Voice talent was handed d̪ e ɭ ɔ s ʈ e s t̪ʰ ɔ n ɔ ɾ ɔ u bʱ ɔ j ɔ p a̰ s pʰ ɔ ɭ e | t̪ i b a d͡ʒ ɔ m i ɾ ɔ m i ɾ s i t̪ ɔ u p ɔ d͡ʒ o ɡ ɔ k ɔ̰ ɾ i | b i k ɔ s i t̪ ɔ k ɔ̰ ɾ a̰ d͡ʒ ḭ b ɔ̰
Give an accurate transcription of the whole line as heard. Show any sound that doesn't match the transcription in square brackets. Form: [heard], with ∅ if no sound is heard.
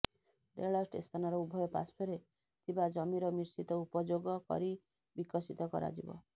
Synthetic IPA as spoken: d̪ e ɭ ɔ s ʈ e s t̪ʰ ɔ n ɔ ɾ ɔ u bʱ ɔ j ɔ p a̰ s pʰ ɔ [ɾ] e | [t̪ʰ] i b a d͡ʒ ɔ m i ɾ ɔ m i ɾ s i t̪ ɔ u p ɔ d͡ʒ o ɡ ɔ k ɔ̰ ɾ i | b i k ɔ s i t̪ ɔ k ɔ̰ ɾ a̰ d͡ʒ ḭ b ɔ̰